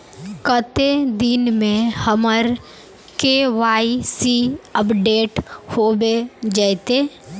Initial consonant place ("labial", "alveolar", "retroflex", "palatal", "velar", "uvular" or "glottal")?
velar